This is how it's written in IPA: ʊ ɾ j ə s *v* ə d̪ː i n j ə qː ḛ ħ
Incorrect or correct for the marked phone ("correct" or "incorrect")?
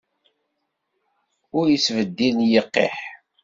correct